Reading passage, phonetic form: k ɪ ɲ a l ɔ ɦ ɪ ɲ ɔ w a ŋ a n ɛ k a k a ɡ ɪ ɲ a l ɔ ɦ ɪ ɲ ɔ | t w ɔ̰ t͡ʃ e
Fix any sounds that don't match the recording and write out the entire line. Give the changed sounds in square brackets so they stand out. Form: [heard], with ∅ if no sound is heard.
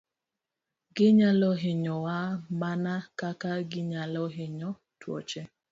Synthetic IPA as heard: [ɡ] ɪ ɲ a l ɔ ɦ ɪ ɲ ɔ w a [m] a n [a] k a k a ɡ ɪ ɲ a l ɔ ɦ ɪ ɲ ɔ | t w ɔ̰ t͡ʃ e